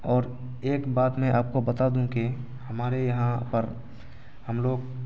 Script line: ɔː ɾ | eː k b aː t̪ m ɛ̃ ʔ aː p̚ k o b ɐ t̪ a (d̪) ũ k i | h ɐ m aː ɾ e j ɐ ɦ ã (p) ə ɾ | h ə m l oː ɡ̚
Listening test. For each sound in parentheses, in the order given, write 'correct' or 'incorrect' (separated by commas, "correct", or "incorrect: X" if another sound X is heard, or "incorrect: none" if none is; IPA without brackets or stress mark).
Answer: correct, correct